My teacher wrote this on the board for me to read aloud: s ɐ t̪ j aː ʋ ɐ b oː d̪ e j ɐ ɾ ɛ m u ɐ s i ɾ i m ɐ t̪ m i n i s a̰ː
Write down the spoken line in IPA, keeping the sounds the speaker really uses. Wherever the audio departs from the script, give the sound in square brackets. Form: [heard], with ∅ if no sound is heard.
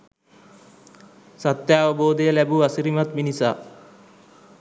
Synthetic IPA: s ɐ t̪ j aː ʋ ɐ b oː d̪ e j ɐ [l] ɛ [b] u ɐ s i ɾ i m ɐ t̪ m i n i s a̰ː